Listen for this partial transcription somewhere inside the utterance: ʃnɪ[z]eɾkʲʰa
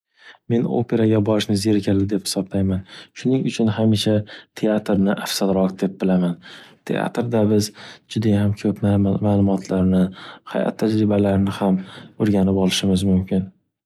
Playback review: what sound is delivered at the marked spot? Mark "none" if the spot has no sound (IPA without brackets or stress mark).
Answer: z